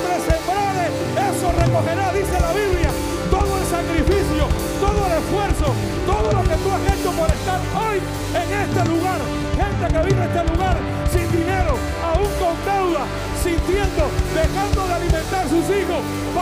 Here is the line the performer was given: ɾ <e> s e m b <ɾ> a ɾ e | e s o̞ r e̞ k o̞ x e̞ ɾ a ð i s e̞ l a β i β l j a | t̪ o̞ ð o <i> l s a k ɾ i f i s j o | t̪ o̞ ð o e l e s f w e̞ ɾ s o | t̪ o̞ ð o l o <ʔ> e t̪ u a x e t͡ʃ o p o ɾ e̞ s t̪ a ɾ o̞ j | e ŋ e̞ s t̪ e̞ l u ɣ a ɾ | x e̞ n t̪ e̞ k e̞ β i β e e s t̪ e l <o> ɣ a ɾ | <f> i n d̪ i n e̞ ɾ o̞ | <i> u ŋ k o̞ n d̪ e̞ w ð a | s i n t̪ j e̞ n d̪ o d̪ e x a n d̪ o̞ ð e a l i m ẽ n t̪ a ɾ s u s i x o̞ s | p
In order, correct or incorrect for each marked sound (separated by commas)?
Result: correct, correct, incorrect, incorrect, incorrect, incorrect, incorrect